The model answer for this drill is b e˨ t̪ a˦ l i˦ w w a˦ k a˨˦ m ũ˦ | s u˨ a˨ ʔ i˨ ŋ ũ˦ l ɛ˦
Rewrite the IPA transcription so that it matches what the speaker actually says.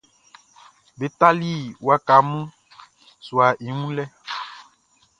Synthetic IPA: b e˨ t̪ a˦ l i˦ w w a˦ k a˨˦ m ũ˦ | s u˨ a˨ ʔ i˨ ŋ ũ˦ l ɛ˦